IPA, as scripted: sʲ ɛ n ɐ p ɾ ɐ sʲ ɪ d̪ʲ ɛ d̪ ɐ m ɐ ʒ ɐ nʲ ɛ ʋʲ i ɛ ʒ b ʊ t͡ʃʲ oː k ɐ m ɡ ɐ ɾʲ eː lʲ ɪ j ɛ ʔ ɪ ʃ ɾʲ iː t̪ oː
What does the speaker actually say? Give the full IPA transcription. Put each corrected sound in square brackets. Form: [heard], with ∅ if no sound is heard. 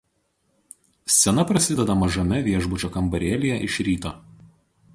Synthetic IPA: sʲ ɛ n ɐ p ɾ ɐ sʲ ɪ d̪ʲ ɛ d̪ ɐ m ɐ ʒ ɐ [mʲ] ɛ ʋʲ i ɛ ʒ b ʊ t͡ʃʲ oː k ɐ m [b] ɐ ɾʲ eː lʲ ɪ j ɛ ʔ ɪ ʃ ɾʲ iː t̪ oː